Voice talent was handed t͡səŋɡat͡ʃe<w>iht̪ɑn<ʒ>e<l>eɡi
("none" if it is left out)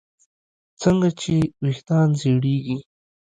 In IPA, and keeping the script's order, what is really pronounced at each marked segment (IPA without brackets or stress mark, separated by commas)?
w, z, ɽ